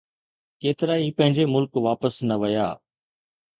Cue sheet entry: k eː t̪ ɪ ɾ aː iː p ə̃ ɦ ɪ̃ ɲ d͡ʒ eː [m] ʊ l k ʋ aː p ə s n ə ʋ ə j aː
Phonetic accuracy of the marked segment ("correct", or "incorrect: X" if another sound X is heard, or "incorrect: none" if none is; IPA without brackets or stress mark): correct